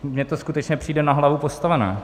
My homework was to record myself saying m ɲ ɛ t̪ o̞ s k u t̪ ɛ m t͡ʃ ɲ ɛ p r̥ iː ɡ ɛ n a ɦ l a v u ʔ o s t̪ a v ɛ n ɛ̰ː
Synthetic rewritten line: m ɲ ɛ t̪ o̞ s k u t̪ ɛ t͡ʃ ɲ ɛ p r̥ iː d ɛ n a ɦ l a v u p o s t̪ a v ɛ n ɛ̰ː